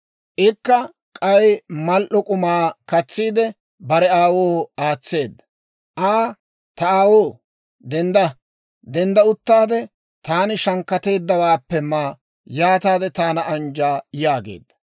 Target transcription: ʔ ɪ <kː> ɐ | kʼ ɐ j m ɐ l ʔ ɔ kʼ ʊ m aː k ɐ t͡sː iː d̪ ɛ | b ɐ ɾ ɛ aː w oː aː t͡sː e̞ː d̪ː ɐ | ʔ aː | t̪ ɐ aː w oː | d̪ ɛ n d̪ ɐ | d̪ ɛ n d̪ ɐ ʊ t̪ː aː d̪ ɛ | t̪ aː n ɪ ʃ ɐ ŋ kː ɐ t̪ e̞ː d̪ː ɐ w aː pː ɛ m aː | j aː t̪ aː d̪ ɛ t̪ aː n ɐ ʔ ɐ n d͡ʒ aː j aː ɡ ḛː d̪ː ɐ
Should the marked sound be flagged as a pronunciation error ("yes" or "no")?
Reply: no